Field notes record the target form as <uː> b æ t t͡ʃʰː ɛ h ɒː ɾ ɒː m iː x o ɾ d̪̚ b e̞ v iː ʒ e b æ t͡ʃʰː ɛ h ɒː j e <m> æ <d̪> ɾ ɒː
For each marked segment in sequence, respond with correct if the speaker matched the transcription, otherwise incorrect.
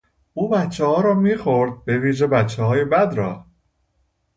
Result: correct, incorrect: b, correct

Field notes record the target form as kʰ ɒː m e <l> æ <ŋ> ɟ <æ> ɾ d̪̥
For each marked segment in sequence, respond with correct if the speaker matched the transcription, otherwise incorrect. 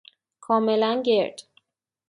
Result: correct, incorrect: n, incorrect: e

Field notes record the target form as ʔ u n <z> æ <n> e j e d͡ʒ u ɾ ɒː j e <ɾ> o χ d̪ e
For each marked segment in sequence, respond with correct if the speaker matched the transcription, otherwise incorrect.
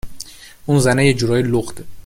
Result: correct, correct, incorrect: l

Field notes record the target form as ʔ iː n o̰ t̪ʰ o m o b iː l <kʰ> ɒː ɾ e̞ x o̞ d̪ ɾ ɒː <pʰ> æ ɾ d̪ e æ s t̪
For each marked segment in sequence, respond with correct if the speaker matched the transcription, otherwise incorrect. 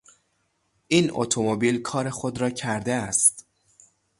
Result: correct, incorrect: cʰ

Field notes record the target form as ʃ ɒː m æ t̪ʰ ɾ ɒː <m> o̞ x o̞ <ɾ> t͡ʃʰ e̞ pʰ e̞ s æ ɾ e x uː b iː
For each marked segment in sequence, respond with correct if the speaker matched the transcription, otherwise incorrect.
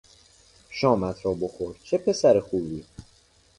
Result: incorrect: b, correct

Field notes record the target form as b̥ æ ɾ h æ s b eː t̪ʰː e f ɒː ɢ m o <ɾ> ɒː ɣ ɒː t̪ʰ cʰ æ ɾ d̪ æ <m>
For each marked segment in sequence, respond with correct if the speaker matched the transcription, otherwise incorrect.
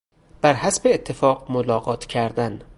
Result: incorrect: l, incorrect: n

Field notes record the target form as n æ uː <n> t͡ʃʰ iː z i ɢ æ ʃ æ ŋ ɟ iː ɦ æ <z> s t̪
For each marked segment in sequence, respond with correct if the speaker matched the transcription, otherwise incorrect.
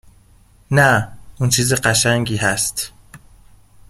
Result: correct, incorrect: none

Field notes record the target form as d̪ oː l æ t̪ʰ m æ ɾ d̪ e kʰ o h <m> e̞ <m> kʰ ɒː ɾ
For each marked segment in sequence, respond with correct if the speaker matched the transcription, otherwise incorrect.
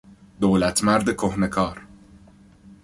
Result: incorrect: n, incorrect: none

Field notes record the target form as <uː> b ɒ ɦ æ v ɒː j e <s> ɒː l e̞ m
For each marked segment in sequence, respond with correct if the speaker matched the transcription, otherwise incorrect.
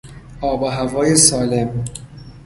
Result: incorrect: ɒː, correct

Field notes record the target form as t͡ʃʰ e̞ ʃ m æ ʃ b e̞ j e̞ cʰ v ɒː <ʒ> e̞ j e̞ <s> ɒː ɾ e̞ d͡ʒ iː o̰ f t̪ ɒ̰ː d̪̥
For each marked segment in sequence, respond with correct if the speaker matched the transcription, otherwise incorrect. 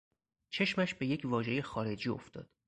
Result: correct, incorrect: x

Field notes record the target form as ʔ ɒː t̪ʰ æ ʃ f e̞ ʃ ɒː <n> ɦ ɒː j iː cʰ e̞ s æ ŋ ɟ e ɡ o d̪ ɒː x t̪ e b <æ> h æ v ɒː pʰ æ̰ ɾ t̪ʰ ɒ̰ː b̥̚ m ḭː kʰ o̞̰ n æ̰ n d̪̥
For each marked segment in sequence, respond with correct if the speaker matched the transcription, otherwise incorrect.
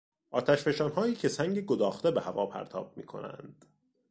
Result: correct, incorrect: e

